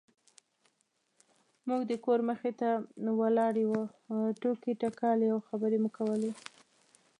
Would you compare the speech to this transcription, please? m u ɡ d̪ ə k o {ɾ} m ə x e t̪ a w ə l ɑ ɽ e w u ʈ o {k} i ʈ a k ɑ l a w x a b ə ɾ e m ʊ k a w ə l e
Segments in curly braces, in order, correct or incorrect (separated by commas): correct, correct